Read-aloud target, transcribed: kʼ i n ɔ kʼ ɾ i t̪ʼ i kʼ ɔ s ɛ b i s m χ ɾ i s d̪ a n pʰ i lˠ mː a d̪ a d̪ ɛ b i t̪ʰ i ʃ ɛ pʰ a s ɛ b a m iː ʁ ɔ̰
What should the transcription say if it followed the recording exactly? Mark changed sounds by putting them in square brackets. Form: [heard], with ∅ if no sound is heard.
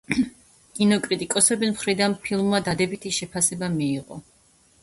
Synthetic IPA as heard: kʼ i n ɔ kʼ ɾ i t̪ʼ i kʼ ɔ s ɛ b i s m χ ɾ i [∅] d̪ a n pʰ i lˠ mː a d̪ a d̪ ɛ b i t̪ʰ i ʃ ɛ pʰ a s ɛ b a m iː ʁ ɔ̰

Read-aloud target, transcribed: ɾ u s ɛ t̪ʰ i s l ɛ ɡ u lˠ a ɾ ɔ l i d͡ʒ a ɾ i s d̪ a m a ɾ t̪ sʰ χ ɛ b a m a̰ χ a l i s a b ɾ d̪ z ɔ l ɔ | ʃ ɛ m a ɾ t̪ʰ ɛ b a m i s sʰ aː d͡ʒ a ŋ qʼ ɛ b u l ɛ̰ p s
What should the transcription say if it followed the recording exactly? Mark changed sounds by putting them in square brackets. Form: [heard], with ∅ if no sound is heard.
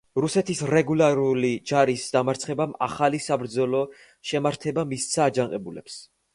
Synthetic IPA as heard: ɾ u s ɛ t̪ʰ i s [ɾ] ɛ ɡ u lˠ a ɾ [u] l i d͡ʒ a ɾ i s d̪ a m a ɾ t̪ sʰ χ ɛ b a m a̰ χ a l i s a b ɾ d̪ z ɔ l ɔ | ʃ ɛ m a ɾ t̪ʰ ɛ b a m i s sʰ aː d͡ʒ a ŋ qʼ ɛ b u l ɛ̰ p s

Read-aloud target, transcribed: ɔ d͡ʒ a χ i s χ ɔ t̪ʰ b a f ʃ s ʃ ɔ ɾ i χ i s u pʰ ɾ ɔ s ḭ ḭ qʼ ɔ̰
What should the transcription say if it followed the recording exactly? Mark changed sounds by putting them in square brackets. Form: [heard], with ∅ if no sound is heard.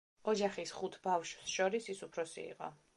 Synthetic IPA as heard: ɔ d͡ʒ a χ i s χ [u] t̪ʰ b a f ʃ s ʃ ɔ ɾ i [s] i s u pʰ ɾ ɔ s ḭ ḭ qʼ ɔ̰

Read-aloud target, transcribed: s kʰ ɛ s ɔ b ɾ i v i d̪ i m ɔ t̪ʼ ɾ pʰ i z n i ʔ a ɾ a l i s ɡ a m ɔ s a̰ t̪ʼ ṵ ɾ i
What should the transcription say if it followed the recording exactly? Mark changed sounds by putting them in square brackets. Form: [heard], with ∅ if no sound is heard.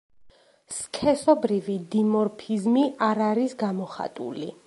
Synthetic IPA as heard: s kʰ ɛ s ɔ b ɾ i v i d̪ i m ɔ [∅] ɾ pʰ i z [m] i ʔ a ɾ a [ɾ] i s ɡ a m ɔ [χ] a̰ t̪ʼ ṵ [l] i

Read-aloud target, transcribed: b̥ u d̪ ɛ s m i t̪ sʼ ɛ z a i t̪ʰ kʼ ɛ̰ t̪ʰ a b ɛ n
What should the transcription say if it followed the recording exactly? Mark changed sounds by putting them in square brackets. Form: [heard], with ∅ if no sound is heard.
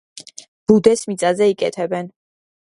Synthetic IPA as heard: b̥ u d̪ ɛ s m i t̪ sʼ [a] z [ɛ] i [∅] kʼ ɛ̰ t̪ʰ [ɛ] b ɛ n

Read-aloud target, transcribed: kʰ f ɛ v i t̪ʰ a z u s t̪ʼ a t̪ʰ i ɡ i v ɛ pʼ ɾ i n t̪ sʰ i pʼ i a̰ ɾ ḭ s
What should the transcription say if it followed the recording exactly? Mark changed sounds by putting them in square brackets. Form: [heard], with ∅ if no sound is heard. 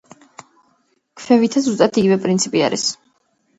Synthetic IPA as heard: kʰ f ɛ v i t̪ʰ a z u s t̪ʼ a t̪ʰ i ɡ i v ɛ pʼ ɾ i n t̪ sʰ i pʼ i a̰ ɾ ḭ s

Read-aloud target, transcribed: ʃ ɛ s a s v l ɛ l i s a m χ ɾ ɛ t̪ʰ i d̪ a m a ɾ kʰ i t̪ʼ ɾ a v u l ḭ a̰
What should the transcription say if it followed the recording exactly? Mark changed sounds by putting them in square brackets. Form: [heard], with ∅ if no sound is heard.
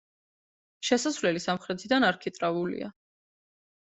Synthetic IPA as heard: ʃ ɛ s a s v l ɛ l i s a m χ ɾ ɛ t̪ʰ i d̪ a [n] a ɾ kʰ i t̪ʼ ɾ a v u l ḭ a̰

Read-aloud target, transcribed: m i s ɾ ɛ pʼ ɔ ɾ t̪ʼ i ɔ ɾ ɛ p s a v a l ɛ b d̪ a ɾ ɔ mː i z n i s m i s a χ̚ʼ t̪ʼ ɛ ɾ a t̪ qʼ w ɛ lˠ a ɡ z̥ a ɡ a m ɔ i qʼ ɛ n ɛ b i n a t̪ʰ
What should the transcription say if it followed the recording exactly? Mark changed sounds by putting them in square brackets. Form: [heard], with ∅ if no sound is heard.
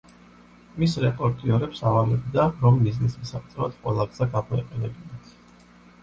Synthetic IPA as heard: m i s ɾ ɛ pʼ ɔ ɾ t̪ʼ i ɔ ɾ ɛ p s a v a l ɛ b d̪ a ɾ ɔ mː i z n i s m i s a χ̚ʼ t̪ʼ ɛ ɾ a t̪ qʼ w ɛ lˠ a ɡ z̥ a ɡ a m ɔ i qʼ ɛ n ɛ b i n a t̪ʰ

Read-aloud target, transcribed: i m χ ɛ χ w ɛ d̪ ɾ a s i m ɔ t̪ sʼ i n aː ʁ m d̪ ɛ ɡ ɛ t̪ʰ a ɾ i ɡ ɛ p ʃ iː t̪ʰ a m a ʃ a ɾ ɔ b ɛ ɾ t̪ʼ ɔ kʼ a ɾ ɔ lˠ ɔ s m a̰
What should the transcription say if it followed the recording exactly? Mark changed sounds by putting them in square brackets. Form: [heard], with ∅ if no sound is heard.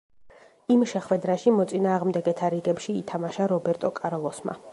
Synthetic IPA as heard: i m [ʃ] ɛ χ w ɛ d̪ ɾ a [ʃ] i m ɔ t̪ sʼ i n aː ʁ m d̪ ɛ ɡ ɛ t̪ʰ a ɾ i ɡ ɛ p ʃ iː t̪ʰ a m a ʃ a ɾ ɔ b ɛ ɾ t̪ʼ ɔ kʼ a ɾ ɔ lˠ ɔ s m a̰

